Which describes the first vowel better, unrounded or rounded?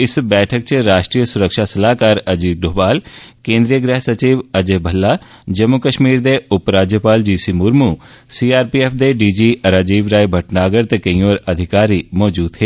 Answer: unrounded